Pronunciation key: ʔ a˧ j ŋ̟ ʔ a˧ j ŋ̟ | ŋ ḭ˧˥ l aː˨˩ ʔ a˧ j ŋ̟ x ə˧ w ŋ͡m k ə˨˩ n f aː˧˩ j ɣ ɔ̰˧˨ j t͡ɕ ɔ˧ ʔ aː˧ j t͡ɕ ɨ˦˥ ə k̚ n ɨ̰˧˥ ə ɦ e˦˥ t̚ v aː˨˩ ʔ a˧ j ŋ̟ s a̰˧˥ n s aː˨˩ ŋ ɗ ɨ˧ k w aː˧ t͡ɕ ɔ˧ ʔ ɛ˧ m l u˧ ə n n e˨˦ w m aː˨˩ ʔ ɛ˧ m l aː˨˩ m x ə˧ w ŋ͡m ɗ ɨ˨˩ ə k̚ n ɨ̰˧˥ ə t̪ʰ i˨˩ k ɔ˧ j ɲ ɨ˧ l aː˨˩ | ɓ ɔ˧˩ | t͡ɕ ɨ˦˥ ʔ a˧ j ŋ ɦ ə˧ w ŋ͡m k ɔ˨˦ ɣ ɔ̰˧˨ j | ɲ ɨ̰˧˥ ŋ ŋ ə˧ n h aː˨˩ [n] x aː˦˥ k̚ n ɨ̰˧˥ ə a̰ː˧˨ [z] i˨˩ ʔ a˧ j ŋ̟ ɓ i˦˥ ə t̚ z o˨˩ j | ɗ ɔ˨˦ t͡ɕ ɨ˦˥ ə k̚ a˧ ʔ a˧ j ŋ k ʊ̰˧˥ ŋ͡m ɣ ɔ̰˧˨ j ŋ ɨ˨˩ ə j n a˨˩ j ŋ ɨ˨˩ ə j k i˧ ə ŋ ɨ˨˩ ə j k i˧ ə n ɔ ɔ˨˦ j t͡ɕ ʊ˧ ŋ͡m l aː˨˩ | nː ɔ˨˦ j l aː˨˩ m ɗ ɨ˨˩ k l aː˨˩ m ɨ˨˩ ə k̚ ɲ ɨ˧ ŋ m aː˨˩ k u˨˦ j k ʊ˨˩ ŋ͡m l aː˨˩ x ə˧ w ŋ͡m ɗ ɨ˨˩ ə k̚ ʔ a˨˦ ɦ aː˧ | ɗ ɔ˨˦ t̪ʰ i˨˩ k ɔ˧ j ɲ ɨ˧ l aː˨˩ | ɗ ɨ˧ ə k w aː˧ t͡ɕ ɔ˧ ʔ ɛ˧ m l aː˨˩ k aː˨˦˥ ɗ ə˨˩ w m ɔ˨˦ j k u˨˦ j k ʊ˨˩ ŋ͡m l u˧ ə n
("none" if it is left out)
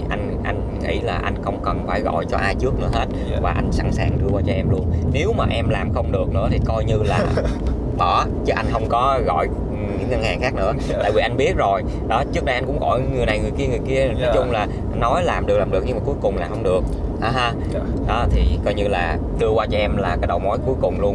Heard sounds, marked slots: ŋ, v

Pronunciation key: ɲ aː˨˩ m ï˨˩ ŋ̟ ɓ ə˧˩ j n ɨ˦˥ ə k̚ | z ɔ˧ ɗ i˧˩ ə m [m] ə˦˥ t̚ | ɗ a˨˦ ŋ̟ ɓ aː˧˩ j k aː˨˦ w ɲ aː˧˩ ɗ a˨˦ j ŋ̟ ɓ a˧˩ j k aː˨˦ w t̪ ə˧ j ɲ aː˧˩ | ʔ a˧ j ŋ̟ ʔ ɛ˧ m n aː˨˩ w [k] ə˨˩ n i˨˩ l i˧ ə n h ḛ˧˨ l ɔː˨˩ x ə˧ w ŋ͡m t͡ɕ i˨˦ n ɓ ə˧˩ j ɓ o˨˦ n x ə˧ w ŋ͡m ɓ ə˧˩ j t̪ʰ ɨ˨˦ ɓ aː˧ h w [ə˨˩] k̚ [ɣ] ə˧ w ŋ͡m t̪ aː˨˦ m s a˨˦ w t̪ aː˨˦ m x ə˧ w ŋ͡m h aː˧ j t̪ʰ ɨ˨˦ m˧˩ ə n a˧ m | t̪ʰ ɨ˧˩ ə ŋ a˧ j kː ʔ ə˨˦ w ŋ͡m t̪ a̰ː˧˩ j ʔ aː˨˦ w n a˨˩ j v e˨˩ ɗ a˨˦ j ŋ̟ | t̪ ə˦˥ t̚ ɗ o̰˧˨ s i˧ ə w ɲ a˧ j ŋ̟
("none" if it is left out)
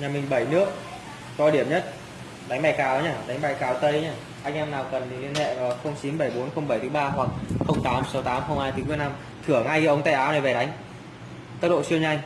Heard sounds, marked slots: ɲ, k, a˨˩, x

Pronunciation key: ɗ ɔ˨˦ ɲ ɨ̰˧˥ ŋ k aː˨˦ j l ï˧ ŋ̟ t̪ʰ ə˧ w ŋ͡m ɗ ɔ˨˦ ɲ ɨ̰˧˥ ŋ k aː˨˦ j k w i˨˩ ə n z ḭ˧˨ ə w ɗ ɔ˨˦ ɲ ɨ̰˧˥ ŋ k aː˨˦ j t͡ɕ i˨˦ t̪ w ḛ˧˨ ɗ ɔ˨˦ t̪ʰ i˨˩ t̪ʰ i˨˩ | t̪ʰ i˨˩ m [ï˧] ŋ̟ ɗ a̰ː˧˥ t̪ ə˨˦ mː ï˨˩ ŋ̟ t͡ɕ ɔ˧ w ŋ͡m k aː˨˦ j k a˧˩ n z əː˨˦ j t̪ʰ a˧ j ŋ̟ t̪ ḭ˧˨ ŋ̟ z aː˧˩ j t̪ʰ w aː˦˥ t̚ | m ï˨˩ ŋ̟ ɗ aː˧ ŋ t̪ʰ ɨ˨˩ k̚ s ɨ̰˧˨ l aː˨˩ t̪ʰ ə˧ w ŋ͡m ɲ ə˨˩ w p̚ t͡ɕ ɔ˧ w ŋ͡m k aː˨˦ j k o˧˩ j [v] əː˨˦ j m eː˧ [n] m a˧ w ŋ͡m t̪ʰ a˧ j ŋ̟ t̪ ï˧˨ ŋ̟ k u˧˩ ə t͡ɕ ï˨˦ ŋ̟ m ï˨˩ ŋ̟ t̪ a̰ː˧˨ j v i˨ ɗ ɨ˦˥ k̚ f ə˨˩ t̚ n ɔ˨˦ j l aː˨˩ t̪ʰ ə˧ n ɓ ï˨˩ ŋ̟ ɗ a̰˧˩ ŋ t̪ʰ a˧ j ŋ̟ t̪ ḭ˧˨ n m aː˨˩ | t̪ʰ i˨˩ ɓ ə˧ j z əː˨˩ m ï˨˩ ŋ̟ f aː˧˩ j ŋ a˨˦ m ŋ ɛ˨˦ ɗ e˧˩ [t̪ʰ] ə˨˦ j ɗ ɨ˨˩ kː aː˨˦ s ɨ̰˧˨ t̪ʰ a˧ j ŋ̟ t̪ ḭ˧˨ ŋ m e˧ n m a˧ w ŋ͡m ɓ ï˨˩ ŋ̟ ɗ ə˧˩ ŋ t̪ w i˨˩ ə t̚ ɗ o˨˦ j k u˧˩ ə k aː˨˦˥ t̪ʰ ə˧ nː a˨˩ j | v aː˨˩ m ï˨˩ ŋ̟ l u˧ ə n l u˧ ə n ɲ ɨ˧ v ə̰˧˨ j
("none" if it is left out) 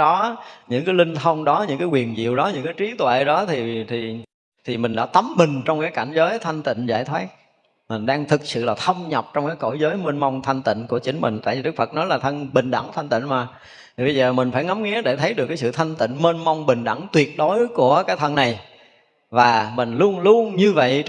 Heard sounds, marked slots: ï˨˩, z, n, t̪ʰ

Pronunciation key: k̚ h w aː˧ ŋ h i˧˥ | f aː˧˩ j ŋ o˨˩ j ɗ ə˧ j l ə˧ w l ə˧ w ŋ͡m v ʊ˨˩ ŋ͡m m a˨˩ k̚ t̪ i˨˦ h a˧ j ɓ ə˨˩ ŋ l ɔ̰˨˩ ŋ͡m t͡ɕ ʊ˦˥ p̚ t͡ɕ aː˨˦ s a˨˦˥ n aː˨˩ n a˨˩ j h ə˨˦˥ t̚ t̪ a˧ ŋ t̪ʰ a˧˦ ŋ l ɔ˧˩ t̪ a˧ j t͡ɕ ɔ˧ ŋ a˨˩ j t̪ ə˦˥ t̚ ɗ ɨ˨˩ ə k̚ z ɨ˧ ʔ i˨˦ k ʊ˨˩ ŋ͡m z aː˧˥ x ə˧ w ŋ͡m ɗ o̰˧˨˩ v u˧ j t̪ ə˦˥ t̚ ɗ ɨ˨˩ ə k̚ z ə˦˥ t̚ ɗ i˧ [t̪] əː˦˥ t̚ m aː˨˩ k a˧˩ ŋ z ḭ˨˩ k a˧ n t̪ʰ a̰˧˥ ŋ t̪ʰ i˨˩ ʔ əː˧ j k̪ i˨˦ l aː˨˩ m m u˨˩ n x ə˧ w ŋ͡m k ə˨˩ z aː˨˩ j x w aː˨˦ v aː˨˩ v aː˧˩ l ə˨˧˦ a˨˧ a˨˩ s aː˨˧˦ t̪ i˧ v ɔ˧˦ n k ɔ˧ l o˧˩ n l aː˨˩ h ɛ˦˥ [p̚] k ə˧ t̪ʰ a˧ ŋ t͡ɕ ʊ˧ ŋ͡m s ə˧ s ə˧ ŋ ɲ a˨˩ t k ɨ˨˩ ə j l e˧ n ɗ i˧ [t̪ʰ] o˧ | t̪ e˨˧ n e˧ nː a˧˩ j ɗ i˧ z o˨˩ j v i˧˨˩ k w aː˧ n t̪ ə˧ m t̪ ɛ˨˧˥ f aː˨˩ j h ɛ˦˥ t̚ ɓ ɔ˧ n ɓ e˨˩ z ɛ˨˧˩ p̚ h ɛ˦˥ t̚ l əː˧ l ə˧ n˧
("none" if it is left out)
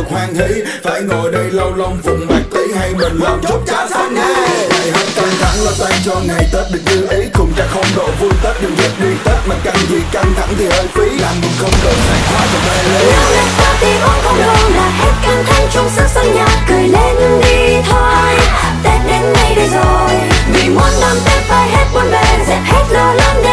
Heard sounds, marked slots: t̪, t̚, t̪ʰ

